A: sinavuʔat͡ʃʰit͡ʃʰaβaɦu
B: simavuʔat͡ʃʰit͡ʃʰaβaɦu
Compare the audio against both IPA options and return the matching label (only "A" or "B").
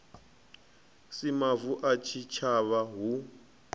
B